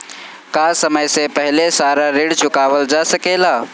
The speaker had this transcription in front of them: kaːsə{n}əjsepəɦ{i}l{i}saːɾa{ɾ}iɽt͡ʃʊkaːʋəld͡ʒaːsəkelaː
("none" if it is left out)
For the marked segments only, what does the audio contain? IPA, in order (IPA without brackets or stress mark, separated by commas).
m, ɪ, e, ɾ